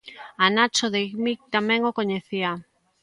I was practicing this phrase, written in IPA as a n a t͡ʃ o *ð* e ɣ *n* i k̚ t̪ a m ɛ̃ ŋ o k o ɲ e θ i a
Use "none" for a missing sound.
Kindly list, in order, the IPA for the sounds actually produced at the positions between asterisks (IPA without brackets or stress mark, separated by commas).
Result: ð, m